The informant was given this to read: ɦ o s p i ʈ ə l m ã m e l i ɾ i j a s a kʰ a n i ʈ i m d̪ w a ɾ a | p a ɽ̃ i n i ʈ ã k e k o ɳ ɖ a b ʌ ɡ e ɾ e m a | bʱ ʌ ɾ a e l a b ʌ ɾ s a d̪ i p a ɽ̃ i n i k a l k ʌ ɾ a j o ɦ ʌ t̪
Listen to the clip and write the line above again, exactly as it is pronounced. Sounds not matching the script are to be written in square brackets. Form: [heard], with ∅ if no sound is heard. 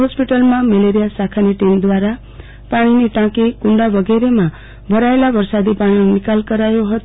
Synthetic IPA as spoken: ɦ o s p i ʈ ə l m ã m e l [e] ɾ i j a s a kʰ a n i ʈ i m d̪ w a ɾ a | p a ɽ̃ i n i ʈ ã k e k [u] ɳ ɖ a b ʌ ɡ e ɾ e m a | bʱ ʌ ɾ a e l a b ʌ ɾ s a d̪ i p a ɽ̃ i n i k a l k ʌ ɾ a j o ɦ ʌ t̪